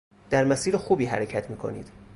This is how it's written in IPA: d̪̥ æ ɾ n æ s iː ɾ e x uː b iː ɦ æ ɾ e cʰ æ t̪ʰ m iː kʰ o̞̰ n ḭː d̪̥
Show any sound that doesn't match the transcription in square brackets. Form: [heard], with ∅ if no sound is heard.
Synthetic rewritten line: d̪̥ æ ɾ [m] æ s iː ɾ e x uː b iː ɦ æ ɾ e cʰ æ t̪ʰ m iː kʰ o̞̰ n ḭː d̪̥